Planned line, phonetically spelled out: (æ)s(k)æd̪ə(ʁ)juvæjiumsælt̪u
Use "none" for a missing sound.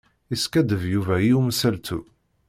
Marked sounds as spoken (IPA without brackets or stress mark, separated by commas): i, k, v